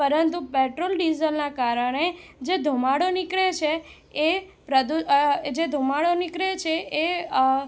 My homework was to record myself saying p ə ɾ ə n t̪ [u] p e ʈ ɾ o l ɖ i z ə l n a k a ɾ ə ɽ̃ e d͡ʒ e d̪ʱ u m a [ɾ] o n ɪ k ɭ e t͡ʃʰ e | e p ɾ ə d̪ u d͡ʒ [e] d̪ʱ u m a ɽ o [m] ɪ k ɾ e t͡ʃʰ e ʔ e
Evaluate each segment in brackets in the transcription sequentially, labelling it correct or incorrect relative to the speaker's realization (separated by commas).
correct, incorrect, correct, incorrect